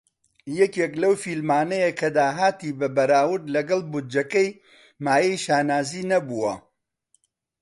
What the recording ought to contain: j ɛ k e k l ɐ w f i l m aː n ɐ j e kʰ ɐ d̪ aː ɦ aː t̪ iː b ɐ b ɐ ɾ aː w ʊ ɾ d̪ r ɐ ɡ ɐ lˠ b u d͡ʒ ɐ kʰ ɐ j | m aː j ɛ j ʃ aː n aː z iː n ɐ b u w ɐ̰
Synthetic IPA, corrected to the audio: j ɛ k e k l ɐ w f i l m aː n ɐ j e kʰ ɐ d̪ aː ɦ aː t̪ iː b ɐ b ɐ ɾ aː w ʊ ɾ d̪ l ɐ ɡ ɐ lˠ b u d͡ʒ ɐ k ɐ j | m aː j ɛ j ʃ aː n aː z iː n ɐ b u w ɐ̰